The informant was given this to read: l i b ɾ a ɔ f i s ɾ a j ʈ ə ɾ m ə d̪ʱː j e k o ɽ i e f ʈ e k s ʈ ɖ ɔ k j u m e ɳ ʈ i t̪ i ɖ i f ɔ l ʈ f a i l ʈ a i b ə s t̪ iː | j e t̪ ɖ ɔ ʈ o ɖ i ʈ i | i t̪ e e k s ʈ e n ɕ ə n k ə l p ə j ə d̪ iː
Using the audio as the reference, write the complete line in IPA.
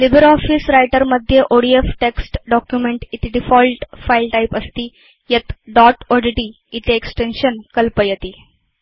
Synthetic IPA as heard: l i b ɾ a ɔ f i s ɾ a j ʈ ə ɾ m ə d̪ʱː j e ʔ o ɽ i e f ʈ e k s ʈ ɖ ɔ k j u m e ɳ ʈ i t̪ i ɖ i f ɔ l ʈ f a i l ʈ a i p ə s t̪ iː | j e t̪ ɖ ɔ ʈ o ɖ i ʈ i | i t̪ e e k s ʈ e n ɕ ə n k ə l p ə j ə t̪ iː